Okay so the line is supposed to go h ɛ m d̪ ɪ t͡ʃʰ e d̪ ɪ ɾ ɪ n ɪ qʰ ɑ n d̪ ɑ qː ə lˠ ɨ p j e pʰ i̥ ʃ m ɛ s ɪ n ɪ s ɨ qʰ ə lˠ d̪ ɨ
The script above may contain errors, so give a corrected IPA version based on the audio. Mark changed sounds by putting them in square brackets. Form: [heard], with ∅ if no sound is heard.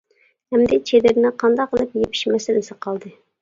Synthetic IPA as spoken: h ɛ m d̪ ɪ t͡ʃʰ e d̪ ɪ ɾ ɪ n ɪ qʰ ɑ n d̪ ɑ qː ə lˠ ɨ p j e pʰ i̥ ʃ m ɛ s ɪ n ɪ s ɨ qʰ [ɑ] lˠ d̪ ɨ